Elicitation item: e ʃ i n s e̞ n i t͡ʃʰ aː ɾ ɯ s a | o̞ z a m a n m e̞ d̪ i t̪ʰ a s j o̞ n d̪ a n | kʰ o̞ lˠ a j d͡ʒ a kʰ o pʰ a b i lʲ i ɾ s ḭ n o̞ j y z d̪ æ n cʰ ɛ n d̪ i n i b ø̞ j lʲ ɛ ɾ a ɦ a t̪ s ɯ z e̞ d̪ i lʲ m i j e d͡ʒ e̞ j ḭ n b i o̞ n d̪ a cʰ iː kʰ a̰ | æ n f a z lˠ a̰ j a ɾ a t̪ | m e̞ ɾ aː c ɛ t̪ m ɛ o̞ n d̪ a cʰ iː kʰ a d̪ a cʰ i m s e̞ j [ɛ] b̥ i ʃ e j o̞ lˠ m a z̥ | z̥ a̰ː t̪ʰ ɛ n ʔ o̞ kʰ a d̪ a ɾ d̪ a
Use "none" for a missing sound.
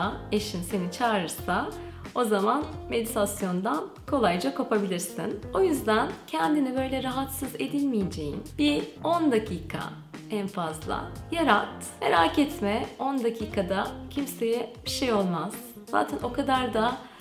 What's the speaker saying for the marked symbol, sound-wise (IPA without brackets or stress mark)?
ɛ